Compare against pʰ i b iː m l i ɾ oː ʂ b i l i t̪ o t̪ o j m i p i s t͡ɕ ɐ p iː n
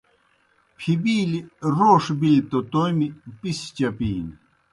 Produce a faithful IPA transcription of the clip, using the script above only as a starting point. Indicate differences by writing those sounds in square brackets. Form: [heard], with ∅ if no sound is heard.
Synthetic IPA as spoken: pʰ i b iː [∅] l i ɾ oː ʂ b i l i t̪ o t̪ o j m i p i s t͡ɕ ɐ p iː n